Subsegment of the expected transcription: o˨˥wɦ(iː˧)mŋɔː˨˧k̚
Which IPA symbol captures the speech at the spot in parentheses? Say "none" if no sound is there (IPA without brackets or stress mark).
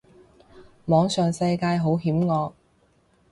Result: iː˨˥